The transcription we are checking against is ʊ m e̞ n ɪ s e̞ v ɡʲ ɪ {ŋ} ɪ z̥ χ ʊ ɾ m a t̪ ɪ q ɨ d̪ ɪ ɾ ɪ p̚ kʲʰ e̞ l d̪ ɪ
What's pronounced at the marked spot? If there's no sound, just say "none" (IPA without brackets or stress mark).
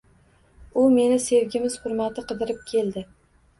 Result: m